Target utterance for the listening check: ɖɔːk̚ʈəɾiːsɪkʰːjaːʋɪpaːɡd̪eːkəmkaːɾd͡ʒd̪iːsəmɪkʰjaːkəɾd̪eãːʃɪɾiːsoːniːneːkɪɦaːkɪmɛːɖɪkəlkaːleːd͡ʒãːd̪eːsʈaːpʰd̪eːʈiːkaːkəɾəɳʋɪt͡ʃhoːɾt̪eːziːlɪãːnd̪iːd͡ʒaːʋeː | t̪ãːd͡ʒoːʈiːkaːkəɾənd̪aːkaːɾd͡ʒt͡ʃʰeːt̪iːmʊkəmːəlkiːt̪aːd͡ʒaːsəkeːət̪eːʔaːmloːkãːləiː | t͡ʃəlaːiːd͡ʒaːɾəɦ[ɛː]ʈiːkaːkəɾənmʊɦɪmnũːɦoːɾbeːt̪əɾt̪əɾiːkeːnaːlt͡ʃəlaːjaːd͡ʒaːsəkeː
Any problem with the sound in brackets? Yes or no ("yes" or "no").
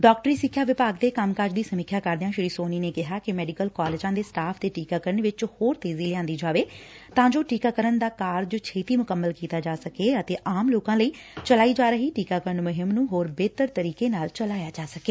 yes